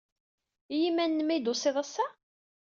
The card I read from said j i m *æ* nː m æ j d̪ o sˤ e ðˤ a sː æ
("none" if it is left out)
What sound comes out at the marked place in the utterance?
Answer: æ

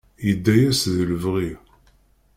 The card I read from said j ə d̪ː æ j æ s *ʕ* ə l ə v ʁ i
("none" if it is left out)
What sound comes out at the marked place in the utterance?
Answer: ð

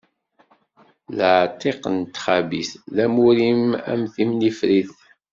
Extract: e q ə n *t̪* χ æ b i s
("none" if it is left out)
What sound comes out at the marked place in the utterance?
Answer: t̪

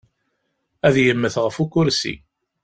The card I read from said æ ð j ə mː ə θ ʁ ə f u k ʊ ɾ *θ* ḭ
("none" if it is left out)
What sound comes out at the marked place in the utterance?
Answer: s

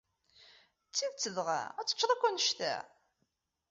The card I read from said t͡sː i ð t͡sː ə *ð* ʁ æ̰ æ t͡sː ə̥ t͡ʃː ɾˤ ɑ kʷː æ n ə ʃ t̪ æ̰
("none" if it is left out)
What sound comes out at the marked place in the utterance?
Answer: ð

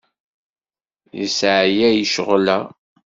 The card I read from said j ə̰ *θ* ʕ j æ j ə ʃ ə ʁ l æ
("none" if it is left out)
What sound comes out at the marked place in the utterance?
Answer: s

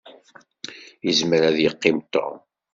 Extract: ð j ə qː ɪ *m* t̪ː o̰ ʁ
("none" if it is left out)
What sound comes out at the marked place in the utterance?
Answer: m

